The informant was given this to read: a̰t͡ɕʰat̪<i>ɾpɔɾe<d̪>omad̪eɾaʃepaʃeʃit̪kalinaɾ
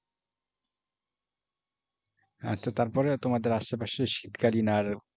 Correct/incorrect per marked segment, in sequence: incorrect: a, incorrect: t̪

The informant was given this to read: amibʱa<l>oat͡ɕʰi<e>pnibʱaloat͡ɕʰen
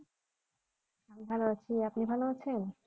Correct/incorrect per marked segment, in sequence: correct, incorrect: a

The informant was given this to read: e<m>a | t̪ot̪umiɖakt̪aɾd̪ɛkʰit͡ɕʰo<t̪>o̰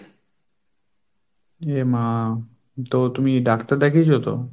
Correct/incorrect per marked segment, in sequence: correct, correct

